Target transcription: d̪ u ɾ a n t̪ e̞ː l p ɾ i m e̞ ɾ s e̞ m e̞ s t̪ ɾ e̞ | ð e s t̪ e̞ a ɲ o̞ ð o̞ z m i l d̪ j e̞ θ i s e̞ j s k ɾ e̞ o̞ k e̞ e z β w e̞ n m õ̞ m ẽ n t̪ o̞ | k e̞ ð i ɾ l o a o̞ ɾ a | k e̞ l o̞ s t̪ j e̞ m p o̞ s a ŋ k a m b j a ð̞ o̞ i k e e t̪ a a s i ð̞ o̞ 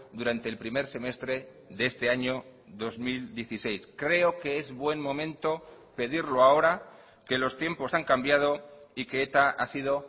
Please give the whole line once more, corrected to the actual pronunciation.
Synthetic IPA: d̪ u ɾ a n t̪ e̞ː l p ɾ i m e̞ ɾ s e̞ m e̞ s t̪ ɾ e̞ | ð e s t̪ e̞ a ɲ o̞ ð o̞ z m i l d̪ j e̞ θ i s e̞ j s k ɾ e̞ o̞ k e̞ e z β w e̞ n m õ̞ m ẽ n t̪ o̞ | p e̞ ð i ɾ l o a o̞ ɾ a | k e̞ l o̞ s t̪ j e̞ m p o̞ s a ŋ k a m b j a ð̞ o̞ i k e e t̪ a a s i ð̞ o̞